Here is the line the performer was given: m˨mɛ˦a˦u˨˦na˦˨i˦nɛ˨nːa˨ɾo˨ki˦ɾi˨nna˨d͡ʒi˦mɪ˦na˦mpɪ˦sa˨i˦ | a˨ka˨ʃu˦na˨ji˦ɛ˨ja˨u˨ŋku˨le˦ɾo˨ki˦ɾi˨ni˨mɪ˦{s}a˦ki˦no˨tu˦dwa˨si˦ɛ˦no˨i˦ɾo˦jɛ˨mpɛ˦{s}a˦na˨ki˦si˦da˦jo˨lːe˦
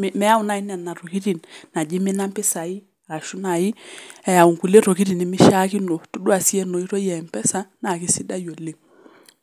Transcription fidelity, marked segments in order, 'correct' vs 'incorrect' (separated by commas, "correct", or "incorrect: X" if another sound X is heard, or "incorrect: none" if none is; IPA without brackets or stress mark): incorrect: ʃ, correct